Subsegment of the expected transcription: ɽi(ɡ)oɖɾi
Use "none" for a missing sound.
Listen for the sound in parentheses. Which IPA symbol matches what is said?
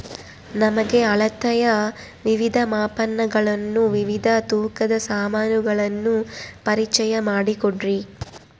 k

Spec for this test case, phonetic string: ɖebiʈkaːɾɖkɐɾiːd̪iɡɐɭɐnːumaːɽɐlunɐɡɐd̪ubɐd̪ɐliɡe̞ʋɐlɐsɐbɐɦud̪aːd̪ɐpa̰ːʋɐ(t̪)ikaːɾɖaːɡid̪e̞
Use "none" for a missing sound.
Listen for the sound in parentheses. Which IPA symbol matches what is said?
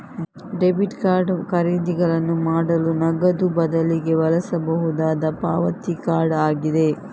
t̪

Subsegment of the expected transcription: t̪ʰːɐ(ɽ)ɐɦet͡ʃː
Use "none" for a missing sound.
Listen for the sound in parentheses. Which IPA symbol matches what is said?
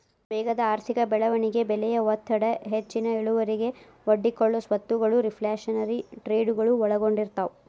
ɽ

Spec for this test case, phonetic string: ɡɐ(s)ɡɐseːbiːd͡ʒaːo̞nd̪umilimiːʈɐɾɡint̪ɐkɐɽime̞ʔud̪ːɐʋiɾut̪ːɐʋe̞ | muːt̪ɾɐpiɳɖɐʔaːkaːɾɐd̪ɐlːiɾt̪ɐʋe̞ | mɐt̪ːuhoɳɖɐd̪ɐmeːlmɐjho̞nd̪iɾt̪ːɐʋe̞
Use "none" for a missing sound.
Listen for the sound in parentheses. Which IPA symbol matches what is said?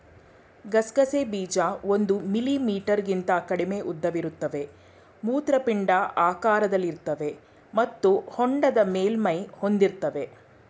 s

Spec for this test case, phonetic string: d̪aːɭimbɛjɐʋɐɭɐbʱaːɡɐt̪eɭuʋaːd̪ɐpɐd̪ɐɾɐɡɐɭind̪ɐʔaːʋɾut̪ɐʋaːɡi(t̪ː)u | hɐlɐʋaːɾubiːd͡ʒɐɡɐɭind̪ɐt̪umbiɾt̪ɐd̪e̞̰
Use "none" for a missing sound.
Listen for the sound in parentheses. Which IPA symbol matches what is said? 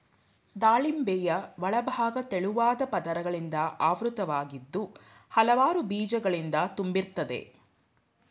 d̪ː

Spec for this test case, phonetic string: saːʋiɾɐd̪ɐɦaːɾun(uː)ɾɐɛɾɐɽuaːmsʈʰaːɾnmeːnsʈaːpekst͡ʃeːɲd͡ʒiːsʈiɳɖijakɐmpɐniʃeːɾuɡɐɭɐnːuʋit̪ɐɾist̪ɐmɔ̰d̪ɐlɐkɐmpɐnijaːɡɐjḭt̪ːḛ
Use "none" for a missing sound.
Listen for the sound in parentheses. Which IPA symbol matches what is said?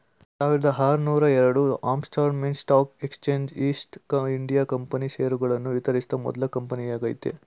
uː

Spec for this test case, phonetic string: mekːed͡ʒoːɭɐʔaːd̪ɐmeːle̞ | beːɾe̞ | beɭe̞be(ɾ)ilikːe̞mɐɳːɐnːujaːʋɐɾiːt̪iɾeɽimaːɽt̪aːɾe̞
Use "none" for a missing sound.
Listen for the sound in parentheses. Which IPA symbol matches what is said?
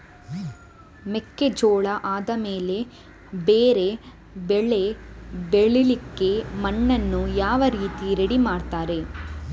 ɭ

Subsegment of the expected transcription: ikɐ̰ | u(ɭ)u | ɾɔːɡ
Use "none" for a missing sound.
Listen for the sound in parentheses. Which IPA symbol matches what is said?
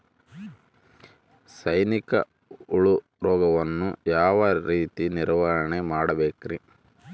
ɭ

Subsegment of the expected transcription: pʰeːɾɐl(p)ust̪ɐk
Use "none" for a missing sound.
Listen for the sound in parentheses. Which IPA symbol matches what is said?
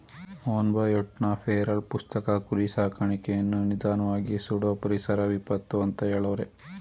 p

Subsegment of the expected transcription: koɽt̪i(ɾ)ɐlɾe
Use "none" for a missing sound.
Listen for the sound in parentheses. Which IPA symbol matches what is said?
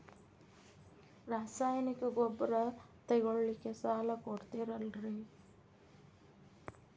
ɾ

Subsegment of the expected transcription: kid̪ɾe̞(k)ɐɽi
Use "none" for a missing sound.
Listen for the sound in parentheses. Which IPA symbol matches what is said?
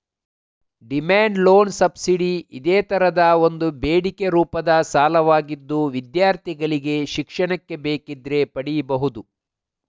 p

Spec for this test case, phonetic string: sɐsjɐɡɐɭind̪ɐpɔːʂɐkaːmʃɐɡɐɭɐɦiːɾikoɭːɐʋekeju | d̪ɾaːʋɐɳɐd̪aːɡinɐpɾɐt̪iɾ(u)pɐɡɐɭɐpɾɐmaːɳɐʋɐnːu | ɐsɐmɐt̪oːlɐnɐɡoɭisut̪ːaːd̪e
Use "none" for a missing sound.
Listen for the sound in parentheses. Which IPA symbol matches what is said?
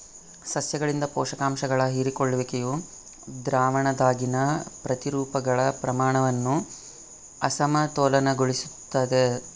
uː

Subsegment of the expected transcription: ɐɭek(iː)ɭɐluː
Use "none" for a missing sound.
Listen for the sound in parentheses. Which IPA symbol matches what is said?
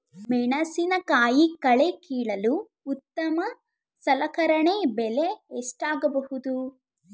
iː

